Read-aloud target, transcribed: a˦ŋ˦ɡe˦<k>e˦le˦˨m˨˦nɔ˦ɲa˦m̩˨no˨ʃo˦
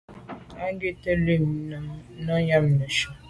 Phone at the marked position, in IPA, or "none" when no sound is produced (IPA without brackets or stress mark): t